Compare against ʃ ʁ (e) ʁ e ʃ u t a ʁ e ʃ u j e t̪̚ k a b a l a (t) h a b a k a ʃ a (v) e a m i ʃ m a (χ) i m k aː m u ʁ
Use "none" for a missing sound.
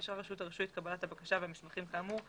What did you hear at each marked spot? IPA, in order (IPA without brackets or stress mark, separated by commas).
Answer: a, t, v, χ